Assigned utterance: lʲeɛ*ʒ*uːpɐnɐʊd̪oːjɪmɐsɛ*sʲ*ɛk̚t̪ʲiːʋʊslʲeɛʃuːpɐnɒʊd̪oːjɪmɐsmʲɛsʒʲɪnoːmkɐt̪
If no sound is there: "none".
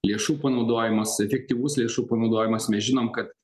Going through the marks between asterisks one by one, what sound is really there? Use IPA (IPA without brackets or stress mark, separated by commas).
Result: ʃ, fʲ